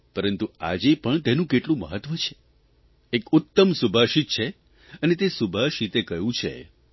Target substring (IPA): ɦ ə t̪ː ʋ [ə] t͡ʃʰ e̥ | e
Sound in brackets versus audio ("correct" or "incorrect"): correct